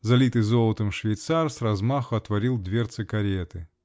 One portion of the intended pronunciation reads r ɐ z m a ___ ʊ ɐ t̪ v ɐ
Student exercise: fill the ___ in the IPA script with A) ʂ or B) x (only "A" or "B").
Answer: B